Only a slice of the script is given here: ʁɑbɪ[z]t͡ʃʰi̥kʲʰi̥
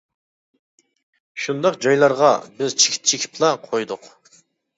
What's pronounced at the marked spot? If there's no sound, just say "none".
z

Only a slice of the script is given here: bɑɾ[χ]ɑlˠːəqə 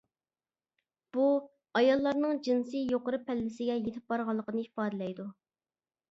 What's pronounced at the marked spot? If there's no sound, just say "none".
ʁ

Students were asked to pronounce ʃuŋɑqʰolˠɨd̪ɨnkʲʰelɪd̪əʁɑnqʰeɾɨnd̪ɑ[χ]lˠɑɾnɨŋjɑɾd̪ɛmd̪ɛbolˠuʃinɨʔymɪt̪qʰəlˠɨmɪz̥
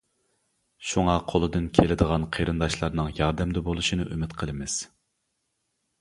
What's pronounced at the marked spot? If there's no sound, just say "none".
ʃ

